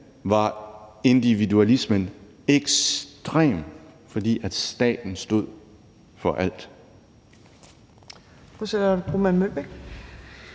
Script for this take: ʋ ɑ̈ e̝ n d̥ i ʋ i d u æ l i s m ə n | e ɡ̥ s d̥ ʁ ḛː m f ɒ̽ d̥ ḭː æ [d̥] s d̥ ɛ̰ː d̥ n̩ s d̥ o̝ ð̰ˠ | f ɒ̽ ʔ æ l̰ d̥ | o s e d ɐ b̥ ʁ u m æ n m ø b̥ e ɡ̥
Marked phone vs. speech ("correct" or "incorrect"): correct